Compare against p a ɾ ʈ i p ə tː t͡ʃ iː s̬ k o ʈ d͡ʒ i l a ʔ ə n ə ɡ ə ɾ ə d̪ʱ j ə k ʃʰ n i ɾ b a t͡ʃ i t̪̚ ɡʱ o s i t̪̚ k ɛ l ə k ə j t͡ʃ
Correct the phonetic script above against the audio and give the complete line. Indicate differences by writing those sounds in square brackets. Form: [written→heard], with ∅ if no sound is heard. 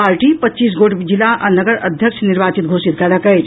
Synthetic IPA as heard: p a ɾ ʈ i p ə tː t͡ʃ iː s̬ [k→ɡ] o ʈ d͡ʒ i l a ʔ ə n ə ɡ ə ɾ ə d̪ʱ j ə k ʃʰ n i ɾ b a t͡ʃ i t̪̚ ɡʱ o s i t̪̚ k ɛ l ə k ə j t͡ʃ